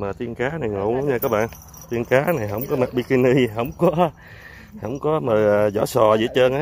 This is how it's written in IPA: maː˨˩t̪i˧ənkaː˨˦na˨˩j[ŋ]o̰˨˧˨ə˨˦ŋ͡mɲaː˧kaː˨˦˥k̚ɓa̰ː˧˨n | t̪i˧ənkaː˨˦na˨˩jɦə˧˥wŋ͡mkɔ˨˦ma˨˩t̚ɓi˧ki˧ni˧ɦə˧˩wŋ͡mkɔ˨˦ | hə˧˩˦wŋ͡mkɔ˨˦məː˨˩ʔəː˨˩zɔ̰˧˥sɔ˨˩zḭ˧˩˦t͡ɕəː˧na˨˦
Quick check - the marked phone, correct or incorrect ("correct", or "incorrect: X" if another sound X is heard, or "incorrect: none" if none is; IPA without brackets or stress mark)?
correct